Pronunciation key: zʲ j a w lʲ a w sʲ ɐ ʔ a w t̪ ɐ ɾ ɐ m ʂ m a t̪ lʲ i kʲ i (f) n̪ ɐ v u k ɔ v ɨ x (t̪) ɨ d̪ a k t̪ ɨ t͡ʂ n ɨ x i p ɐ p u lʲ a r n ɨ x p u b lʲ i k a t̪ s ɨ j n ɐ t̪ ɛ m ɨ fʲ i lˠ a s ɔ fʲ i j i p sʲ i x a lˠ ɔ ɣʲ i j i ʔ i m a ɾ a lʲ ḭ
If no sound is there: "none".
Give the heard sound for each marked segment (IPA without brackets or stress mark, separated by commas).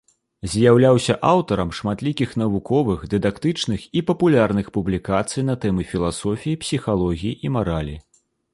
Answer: x, d̪